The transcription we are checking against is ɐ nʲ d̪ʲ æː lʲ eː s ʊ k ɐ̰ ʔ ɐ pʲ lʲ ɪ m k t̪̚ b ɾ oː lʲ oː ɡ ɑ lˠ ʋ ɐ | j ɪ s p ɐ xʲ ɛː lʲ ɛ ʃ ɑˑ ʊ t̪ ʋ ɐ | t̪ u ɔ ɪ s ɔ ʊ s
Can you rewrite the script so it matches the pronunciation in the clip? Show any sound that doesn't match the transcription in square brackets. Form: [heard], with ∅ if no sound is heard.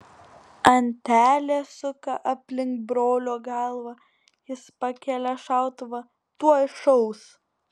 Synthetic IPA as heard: ɐ nʲ [t̪ʲ] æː lʲ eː s ʊ k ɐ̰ ʔ ɐ pʲ lʲ ɪ [ŋ] k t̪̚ b ɾ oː lʲ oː ɡ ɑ lˠ ʋ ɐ | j ɪ s p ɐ [kʲ] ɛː lʲ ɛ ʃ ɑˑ ʊ t̪ ʋ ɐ | t̪ u ɔ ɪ [ʃ] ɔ ʊ s

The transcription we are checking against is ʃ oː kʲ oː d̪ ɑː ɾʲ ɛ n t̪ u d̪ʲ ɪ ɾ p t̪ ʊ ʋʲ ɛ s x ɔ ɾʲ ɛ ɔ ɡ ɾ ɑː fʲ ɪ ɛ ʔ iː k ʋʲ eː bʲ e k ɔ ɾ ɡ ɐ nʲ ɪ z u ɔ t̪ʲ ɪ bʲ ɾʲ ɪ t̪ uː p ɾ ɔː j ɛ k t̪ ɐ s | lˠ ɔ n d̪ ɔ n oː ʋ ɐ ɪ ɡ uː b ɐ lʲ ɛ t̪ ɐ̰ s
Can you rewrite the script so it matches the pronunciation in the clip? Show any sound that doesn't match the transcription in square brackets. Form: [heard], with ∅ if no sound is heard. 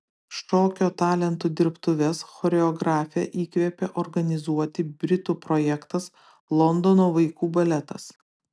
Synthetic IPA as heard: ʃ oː kʲ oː [t̪] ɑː [lʲ] ɛ n t̪ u d̪ʲ ɪ ɾ p t̪ ʊ ʋʲ ɛ s x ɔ ɾʲ ɛ ɔ ɡ ɾ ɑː fʲ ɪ ɛ ʔ iː k ʋʲ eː [pʲ] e [ʔ] ɔ ɾ ɡ ɐ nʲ ɪ z u ɔ t̪ʲ ɪ bʲ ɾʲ ɪ t̪ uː p ɾ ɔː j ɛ k t̪ ɐ s | lˠ ɔ n d̪ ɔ n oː ʋ ɐ ɪ [k] uː b ɐ lʲ ɛ t̪ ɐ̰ s

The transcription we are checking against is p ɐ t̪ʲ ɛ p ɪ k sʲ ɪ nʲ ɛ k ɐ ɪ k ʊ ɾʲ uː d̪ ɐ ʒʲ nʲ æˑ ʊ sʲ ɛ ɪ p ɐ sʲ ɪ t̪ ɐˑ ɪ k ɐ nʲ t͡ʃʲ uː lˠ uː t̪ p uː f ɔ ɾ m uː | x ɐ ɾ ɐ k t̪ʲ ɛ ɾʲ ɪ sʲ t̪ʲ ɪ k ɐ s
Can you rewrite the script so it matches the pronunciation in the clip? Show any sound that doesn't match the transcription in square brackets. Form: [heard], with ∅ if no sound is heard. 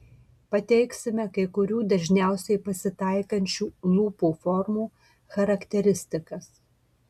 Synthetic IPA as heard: p ɐ t̪ʲ ɛ [∅] ɪ k sʲ ɪ [mʲ] ɛ k ɐ ɪ k ʊ ɾʲ uː d̪ ɐ ʒʲ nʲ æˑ ʊ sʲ ɛ ɪ p ɐ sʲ ɪ t̪ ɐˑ ɪ k ɐ nʲ t͡ʃʲ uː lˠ uː [∅] p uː f ɔ ɾ m uː | x ɐ ɾ ɐ k t̪ʲ ɛ ɾʲ ɪ sʲ t̪ʲ ɪ k ɐ s

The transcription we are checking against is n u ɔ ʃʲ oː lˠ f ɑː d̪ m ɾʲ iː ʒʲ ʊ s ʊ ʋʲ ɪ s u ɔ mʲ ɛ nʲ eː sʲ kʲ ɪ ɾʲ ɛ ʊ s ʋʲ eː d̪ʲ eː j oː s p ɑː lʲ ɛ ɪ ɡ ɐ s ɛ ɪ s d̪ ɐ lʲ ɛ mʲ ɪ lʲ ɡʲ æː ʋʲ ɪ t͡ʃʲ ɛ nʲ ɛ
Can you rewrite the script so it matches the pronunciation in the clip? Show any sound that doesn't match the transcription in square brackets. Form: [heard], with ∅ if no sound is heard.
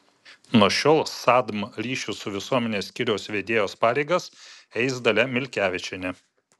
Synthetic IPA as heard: n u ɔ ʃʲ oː lˠ [s] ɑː d̪ m ɾʲ iː [ʃʲ] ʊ s ʊ ʋʲ ɪ s u ɔ mʲ ɛ nʲ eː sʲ kʲ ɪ ɾʲ ɛ ʊ s ʋʲ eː d̪ʲ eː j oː s p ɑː [ɾʲ] ɛ ɪ ɡ ɐ s ɛ ɪ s d̪ ɐ lʲ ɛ mʲ ɪ lʲ [kʲ] æː ʋʲ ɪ t͡ʃʲ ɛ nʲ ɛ

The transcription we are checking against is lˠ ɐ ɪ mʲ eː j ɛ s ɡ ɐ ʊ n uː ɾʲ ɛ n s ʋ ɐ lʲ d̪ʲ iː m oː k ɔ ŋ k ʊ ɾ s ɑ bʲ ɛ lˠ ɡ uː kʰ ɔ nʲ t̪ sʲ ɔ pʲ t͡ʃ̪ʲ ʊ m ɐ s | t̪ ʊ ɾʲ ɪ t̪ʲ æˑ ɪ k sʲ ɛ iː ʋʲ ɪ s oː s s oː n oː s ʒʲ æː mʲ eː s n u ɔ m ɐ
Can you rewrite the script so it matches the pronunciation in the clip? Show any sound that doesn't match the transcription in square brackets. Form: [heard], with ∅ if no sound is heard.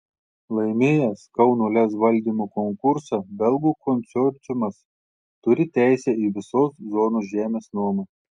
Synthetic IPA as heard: lˠ ɐ ɪ mʲ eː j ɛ s [k] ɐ ʊ n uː [lʲ] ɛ [∅] s ʋ ɐ lʲ d̪ʲ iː m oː k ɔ ŋ k ʊ ɾ s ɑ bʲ ɛ lˠ ɡ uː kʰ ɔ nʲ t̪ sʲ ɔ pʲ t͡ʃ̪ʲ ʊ m ɐ s | t̪ ʊ ɾʲ ɪ t̪ʲ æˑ ɪ [∅] sʲ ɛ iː ʋʲ ɪ s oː s [z] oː n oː s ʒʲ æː mʲ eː s n u ɔ m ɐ

